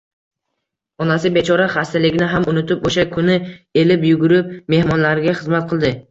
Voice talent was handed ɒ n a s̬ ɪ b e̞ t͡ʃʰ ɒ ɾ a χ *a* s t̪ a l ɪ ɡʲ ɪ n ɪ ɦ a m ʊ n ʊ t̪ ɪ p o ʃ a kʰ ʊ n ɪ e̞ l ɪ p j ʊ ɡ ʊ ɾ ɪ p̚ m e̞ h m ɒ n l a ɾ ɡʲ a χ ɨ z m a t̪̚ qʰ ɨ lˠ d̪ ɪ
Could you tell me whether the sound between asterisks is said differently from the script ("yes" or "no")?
no